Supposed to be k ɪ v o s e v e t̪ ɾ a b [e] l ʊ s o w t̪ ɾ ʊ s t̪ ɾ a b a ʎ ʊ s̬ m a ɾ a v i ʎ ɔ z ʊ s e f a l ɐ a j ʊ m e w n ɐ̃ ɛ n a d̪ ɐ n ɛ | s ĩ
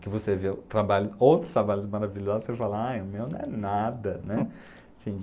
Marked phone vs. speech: incorrect: a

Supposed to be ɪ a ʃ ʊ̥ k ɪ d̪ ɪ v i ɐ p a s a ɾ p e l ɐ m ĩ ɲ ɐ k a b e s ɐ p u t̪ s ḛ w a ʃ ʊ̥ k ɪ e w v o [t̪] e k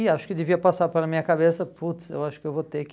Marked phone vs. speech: correct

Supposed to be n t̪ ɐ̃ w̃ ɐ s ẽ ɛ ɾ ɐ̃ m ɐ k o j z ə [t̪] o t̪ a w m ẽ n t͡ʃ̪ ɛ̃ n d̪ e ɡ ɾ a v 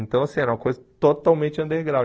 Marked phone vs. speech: correct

